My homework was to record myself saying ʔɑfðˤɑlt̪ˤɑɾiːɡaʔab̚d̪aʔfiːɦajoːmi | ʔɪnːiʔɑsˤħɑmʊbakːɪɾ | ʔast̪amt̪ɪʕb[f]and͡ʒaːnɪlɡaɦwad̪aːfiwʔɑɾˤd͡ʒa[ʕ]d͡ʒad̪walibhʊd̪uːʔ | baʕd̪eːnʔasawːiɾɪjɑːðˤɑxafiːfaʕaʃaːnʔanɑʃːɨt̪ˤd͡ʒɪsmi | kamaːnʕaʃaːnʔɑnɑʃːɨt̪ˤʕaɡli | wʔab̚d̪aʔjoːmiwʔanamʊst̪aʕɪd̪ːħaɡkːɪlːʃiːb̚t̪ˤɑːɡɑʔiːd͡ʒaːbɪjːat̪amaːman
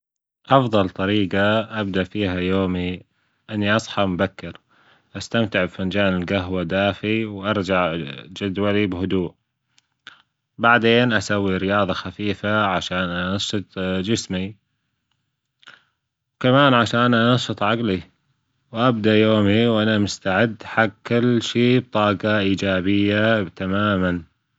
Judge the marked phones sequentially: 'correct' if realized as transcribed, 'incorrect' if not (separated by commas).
correct, correct